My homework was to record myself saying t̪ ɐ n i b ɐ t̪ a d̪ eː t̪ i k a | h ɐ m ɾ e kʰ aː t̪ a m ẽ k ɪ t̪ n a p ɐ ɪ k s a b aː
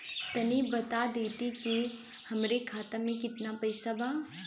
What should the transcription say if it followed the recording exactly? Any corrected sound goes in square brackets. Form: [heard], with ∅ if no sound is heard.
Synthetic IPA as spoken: t̪ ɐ n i b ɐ t̪ a d̪ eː t̪ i k [i] | h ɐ m ɾ e kʰ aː t̪ a m ẽ k ɪ t̪ n a p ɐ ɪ [∅] s a b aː